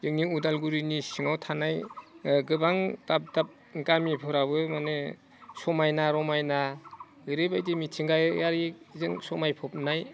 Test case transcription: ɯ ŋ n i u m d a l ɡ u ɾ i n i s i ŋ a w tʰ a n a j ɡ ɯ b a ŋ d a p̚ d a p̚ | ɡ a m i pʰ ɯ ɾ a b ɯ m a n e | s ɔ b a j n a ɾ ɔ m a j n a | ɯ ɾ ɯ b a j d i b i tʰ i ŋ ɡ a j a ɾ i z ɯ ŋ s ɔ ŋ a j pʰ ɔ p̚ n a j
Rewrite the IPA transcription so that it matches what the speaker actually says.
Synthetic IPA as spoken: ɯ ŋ n i u d a l ɡ u ɾ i n i s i ŋ a w tʰ a n a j ɡ ɯ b a ŋ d a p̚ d a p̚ | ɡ a m i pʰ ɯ ɾ a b ɯ m a n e | s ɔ m a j n a ɾ ɔ m a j n a | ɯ ɾ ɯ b a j d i m i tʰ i ŋ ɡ a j a ɾ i z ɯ ŋ s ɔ m a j pʰ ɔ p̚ n a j